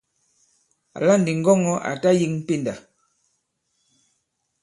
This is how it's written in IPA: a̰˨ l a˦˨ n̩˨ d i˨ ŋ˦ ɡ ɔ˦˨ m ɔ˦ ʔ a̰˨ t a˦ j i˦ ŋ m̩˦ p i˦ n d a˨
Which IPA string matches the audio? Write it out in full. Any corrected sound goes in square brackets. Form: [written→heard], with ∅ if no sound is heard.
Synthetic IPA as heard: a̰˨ l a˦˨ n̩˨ d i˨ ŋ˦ ɡ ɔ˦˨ [m→ŋ] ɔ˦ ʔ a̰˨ t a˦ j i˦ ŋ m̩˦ p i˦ n d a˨